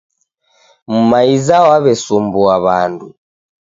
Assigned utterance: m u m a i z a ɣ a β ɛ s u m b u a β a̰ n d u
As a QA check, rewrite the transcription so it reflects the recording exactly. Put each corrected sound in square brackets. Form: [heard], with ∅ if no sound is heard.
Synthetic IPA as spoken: m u m a i z a [w] a β ɛ s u m b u a β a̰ n d u